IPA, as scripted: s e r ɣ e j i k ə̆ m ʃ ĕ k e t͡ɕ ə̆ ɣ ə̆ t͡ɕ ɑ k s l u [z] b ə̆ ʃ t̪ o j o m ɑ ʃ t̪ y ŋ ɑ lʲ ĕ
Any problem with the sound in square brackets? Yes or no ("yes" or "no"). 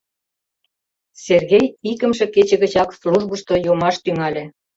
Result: yes